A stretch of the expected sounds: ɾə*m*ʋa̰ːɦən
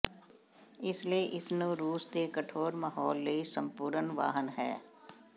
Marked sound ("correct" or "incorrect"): incorrect